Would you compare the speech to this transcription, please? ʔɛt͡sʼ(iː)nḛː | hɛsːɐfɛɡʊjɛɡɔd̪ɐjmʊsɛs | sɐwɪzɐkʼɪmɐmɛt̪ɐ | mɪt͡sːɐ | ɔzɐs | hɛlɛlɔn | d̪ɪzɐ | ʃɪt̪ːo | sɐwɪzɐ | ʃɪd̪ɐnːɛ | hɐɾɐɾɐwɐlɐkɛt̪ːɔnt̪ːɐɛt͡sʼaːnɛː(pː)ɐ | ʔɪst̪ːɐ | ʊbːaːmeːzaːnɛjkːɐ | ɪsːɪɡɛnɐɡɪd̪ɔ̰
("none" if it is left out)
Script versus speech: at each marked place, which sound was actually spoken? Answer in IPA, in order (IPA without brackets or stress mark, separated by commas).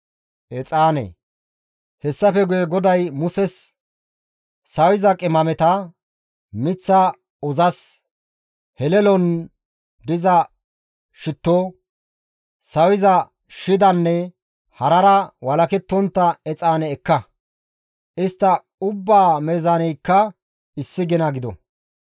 aː, kː